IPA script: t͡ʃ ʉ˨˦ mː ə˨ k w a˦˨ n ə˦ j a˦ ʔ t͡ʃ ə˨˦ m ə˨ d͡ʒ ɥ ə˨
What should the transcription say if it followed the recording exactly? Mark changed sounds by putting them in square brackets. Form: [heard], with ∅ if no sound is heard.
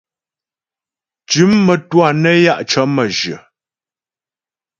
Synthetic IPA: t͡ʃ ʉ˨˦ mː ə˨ [t] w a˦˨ n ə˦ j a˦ ʔ t͡ʃ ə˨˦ m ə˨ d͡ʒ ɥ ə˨